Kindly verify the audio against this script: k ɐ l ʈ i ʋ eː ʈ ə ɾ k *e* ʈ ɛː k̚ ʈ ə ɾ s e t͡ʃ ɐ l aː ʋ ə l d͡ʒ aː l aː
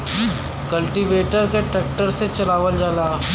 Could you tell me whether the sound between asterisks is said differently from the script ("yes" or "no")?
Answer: no